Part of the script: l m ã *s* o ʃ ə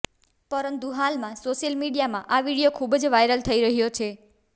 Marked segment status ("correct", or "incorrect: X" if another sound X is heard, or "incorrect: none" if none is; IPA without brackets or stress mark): correct